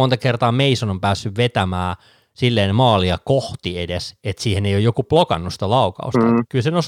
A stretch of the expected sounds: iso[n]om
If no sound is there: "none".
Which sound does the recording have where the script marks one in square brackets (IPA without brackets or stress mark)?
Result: n